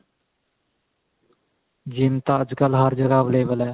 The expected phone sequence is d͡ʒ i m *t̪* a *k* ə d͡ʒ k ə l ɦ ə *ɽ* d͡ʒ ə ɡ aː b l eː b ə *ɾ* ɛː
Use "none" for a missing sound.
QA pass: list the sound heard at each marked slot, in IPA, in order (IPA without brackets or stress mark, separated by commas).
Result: t̪, none, ɾ, l